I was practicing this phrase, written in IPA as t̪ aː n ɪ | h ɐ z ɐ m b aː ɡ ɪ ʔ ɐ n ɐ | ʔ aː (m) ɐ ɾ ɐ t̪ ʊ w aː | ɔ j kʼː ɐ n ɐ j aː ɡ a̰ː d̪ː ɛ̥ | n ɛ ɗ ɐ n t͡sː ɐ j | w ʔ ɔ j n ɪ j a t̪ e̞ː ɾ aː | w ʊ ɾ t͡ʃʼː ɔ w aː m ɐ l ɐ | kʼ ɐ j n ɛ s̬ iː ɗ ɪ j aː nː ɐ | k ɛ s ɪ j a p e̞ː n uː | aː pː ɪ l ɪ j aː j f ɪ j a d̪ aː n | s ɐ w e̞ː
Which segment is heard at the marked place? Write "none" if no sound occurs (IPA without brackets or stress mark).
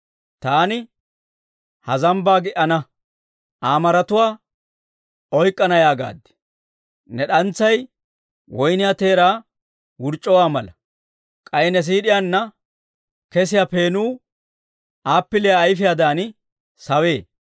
m